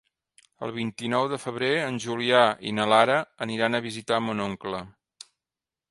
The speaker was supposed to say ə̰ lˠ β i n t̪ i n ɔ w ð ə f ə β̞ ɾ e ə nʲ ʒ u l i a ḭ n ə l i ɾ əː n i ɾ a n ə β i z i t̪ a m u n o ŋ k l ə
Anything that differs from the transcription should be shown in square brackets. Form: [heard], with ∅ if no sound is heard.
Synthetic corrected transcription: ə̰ lˠ β i n t̪ i n ɔ w ð ə f ə β̞ ɾ e ə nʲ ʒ u l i a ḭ n ə l [a] ɾ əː n i ɾ a n ə β i z i t̪ a m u n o ŋ k l ə